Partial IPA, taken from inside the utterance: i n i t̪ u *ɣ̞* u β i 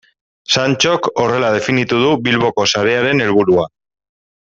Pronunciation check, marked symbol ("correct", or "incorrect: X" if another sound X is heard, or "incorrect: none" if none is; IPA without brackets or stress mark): incorrect: ð̞